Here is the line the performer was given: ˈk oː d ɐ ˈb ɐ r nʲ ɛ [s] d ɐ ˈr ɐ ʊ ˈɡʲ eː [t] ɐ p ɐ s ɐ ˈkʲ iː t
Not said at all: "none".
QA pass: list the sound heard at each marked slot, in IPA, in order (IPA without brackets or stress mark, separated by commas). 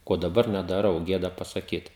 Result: none, d